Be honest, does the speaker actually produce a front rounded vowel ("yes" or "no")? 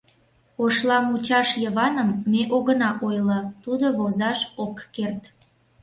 no